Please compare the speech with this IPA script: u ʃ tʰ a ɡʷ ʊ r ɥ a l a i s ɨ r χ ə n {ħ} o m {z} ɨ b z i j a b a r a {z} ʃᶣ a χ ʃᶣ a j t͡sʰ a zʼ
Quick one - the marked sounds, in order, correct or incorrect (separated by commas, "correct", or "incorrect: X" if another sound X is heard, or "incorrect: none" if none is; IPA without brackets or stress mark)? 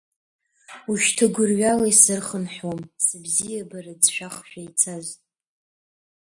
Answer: correct, incorrect: s, incorrect: d͡z